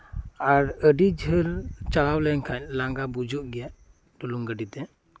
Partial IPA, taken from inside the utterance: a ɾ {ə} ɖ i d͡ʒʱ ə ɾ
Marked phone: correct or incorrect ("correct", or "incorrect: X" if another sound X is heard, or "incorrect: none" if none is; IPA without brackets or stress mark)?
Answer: correct